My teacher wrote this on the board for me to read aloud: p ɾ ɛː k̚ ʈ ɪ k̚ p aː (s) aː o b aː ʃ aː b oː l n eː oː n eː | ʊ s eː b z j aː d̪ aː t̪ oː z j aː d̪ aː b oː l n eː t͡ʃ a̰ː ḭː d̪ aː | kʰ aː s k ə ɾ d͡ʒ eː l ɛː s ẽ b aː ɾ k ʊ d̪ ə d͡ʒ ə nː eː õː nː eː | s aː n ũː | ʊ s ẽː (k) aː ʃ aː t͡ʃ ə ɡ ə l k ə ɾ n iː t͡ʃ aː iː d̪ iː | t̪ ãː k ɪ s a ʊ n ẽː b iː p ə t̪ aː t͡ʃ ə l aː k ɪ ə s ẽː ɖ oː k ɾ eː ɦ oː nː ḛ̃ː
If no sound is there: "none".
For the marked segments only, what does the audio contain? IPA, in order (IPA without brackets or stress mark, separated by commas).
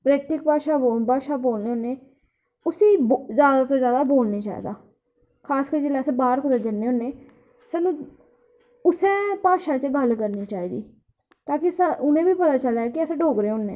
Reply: ʃ, p